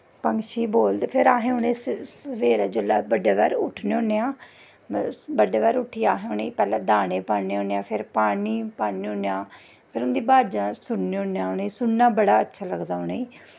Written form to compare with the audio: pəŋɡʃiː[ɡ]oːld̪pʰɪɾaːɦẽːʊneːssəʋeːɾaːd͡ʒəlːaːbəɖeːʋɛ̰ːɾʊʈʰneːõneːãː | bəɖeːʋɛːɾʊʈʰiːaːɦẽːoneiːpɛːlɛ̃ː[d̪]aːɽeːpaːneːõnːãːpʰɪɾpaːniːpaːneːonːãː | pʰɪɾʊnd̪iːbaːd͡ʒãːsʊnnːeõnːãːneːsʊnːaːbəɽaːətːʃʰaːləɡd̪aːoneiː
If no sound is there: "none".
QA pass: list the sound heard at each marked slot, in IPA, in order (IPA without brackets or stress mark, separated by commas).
b, d̪